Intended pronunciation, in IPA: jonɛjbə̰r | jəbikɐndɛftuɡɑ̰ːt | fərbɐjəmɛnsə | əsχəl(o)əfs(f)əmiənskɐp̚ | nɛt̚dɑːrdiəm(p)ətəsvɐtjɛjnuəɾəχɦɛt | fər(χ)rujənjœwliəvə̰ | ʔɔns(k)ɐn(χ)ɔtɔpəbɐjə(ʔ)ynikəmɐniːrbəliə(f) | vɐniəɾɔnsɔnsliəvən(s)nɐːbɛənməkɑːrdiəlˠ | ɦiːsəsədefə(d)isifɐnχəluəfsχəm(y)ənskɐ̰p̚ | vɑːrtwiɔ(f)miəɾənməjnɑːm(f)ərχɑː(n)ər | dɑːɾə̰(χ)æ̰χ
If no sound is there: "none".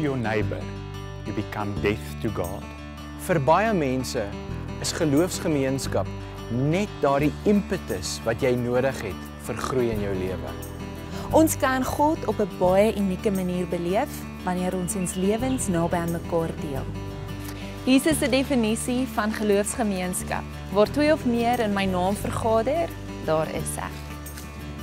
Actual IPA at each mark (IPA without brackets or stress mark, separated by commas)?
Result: u, χ, p, χ, k, χ, ʔ, f, s, n, i, f, f, d, s